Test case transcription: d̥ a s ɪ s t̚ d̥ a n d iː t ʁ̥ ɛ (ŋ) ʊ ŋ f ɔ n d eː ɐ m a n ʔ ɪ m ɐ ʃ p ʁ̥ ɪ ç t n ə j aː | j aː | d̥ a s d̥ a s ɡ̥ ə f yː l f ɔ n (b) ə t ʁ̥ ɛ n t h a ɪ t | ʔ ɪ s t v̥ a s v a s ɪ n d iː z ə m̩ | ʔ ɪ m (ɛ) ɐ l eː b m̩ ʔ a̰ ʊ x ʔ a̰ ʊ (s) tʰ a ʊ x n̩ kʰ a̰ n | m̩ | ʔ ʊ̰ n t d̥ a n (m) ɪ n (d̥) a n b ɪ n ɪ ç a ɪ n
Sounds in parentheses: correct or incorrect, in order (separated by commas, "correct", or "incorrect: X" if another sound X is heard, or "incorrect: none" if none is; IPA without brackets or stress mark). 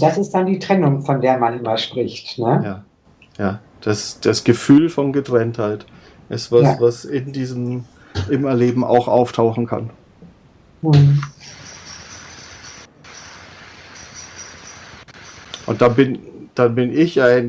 incorrect: n, incorrect: ɡ, correct, incorrect: f, incorrect: b, correct